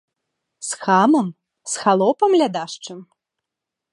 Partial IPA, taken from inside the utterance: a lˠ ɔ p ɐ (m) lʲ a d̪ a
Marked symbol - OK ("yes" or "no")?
yes